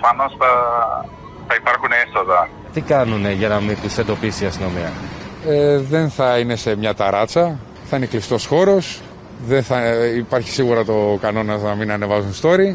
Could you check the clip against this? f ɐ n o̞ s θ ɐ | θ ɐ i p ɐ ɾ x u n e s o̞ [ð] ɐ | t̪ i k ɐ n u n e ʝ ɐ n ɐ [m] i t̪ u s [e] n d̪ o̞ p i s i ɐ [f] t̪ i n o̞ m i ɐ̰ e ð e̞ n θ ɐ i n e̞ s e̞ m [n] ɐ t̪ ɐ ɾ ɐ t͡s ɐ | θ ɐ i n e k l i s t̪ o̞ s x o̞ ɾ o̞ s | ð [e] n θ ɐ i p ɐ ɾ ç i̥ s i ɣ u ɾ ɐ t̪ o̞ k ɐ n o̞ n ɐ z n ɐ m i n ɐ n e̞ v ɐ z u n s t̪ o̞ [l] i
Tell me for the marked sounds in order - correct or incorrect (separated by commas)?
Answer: correct, correct, correct, incorrect, incorrect, correct, incorrect